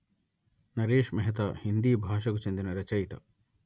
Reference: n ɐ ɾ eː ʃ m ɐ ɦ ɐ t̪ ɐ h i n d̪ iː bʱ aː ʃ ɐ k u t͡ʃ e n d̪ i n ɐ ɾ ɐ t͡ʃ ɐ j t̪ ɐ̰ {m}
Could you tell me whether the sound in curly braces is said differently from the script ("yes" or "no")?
yes